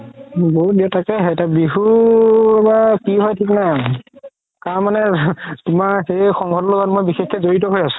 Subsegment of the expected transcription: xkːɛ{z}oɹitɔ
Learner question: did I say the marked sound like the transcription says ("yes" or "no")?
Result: yes